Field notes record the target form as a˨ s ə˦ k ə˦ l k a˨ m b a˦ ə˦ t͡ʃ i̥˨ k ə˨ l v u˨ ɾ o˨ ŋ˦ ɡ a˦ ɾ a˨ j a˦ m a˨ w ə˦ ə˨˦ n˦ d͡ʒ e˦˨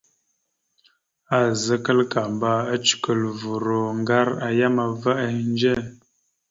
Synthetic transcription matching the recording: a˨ z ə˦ k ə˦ l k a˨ m b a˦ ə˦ t͡ʃ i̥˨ k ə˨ l v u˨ ɾ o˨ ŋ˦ ɡ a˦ ɾ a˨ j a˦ m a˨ v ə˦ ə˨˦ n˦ d͡ʒ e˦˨

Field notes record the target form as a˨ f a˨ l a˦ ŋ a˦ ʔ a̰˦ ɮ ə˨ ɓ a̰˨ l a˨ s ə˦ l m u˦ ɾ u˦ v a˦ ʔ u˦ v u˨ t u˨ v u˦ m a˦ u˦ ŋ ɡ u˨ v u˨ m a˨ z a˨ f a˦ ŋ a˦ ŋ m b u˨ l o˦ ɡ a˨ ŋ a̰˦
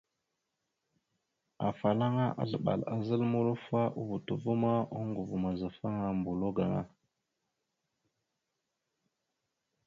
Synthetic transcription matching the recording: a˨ f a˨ l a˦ ŋ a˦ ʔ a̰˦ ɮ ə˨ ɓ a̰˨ l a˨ z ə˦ l m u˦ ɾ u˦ f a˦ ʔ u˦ v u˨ t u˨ v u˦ m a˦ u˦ ŋ ɡ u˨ v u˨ m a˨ z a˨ f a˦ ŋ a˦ m b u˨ l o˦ ɡ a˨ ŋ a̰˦

